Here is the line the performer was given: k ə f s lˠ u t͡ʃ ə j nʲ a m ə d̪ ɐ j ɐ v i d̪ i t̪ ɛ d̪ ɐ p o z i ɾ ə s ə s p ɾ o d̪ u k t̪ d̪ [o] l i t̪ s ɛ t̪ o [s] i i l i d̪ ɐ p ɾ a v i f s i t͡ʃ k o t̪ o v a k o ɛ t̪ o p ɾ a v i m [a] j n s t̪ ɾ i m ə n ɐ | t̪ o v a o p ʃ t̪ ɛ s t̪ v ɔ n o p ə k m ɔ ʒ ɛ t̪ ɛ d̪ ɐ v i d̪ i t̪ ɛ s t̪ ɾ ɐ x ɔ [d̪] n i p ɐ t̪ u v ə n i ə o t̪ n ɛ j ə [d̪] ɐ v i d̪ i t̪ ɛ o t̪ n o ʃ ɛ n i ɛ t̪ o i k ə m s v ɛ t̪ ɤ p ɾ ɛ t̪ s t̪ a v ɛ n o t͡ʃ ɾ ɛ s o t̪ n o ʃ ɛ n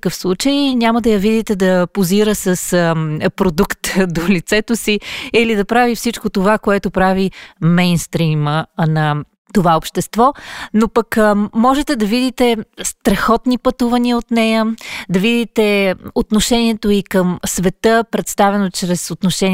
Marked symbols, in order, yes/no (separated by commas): yes, yes, no, no, yes